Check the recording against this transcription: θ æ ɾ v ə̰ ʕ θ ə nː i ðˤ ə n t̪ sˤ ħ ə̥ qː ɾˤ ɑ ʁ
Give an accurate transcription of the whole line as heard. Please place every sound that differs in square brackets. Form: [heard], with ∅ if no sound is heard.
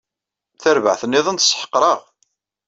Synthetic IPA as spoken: θ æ ɾ v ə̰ ʕ θ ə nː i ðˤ ə n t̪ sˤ ħ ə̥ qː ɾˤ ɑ ʁ